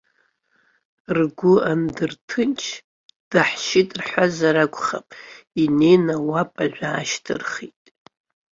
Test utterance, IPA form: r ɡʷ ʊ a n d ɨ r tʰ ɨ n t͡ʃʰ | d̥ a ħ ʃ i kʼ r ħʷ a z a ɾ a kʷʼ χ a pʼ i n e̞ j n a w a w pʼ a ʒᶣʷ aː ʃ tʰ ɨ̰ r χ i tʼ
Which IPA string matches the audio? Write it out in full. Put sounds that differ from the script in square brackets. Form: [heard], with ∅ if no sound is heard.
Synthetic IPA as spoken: r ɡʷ ʊ a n d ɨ r tʰ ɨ n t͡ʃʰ | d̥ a ħ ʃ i [tʼ] r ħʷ a z a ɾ a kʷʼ χ a pʼ i n e̞ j n a w a [∅] pʼ a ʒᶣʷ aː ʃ tʰ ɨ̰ r χ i tʼ